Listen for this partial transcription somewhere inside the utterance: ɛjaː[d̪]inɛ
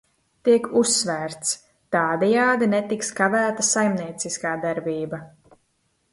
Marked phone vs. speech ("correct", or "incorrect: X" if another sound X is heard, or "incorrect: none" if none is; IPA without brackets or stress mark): correct